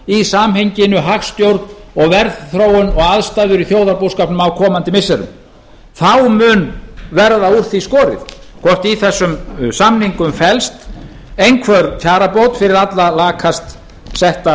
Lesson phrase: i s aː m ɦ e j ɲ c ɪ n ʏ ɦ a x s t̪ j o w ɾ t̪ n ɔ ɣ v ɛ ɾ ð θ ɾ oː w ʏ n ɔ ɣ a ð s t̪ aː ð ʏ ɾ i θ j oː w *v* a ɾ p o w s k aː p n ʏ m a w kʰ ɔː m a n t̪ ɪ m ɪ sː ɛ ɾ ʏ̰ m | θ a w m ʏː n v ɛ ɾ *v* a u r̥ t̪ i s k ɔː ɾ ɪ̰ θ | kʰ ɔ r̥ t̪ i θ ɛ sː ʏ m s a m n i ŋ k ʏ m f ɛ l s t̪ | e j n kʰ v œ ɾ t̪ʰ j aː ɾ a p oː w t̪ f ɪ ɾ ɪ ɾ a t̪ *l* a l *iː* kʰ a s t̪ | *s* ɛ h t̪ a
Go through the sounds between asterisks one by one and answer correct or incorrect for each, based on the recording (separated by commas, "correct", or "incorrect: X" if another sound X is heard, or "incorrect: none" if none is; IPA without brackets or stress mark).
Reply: incorrect: ð, incorrect: ð, correct, incorrect: aː, correct